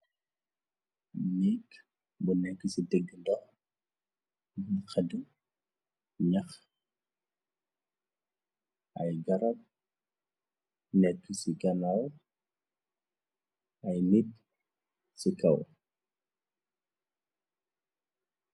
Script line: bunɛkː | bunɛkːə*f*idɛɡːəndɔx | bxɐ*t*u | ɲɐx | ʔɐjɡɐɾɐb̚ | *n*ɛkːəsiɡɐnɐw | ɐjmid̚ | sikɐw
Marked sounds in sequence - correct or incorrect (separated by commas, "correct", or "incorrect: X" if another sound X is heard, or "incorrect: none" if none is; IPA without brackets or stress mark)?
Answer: incorrect: s, incorrect: d, correct